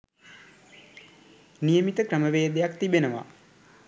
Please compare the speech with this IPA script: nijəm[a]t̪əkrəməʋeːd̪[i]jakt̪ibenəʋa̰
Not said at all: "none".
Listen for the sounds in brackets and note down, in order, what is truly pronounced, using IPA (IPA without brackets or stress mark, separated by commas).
i, e